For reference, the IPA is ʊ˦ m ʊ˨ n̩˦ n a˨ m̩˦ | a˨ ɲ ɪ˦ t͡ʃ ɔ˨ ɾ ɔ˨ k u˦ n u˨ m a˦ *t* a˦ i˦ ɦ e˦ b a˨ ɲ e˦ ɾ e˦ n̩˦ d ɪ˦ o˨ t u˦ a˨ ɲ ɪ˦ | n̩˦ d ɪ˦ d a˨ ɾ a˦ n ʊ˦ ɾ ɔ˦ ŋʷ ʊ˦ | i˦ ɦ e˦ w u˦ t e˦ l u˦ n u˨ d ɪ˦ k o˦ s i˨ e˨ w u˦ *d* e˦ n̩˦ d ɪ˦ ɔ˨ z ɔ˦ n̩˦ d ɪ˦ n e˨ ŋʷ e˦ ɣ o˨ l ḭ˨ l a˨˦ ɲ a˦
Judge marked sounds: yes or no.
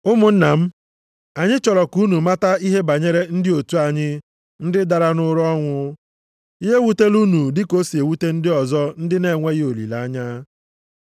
yes, no

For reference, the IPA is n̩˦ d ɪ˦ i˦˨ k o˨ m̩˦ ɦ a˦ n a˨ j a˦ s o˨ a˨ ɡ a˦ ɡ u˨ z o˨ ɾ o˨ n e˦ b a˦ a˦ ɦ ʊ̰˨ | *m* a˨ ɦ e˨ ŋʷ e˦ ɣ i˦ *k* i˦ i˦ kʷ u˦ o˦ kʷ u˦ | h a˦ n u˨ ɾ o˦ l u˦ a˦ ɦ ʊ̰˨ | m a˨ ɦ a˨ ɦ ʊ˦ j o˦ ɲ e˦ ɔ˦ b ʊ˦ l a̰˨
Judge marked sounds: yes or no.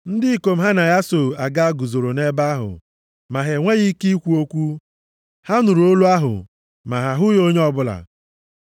yes, yes

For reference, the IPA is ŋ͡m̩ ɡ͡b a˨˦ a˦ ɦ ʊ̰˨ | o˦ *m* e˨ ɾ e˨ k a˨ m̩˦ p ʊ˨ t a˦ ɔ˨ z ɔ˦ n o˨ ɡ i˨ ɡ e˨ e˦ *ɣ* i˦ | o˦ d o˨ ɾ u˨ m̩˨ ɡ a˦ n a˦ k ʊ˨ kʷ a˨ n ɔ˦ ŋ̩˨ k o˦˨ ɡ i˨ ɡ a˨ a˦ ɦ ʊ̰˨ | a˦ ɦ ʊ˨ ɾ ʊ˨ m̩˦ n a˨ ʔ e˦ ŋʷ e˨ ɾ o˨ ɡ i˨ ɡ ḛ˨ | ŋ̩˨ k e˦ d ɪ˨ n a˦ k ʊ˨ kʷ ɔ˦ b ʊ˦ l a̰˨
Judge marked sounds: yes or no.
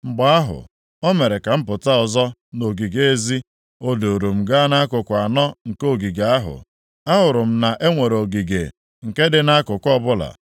yes, no

